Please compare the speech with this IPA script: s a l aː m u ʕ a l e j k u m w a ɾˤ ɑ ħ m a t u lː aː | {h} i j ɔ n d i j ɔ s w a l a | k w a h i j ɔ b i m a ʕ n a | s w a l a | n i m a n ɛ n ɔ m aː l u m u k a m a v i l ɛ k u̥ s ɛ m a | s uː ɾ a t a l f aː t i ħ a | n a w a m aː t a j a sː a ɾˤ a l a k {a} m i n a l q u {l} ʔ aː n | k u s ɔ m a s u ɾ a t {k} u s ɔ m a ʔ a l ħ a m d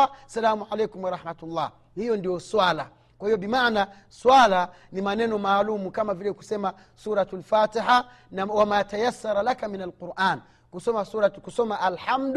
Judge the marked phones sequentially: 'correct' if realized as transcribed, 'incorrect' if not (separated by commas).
correct, correct, incorrect, correct